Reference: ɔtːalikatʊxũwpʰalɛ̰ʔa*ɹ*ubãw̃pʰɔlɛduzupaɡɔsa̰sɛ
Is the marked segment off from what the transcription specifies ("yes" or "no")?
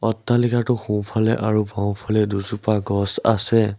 no